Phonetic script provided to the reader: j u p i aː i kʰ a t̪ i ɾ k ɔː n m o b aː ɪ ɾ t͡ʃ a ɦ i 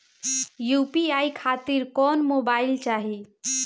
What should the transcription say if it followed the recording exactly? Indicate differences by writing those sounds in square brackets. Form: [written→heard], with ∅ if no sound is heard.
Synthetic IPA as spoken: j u p i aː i kʰ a t̪ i ɾ k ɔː n m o b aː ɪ [ɾ→l] t͡ʃ a ɦ i